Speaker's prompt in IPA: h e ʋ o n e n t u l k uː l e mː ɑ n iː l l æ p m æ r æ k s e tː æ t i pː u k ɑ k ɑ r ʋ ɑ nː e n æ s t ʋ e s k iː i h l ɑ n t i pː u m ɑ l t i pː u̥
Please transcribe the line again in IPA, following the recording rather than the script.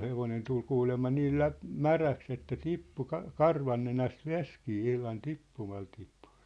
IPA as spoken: h e ʋ o n e n t u l k uː l e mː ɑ n iː l l æ p m æ r æ k s e tː æ t i pː u k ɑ k ɑ r ʋ ɑ nː e n æ s t ʋ e s k iː i h l ɑ n t i pː u m ɑ l t i pː u̥